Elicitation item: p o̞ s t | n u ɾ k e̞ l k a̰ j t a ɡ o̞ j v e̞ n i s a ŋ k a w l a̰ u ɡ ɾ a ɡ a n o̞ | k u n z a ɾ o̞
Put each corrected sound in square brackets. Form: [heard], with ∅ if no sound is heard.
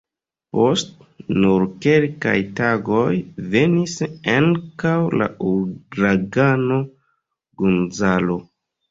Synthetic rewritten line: p o̞ s t | n u ɾ k e̞ l k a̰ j t a ɡ o̞ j v e̞ n i s a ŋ k a w l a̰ u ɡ ɾ a ɡ a n o̞ | [ɡ] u n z a [l] o̞